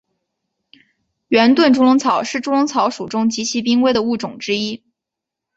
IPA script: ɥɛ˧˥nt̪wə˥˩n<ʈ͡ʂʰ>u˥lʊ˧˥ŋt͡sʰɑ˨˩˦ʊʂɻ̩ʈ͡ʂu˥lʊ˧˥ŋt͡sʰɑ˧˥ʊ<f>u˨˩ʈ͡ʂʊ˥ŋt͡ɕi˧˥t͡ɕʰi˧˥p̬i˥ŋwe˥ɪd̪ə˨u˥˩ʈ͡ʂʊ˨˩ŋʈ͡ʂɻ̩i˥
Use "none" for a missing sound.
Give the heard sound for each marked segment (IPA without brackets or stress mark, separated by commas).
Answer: ʈ͡ʂ, ʂ